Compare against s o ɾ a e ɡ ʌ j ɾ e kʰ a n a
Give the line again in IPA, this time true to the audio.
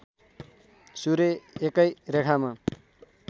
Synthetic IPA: s u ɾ e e k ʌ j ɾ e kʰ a m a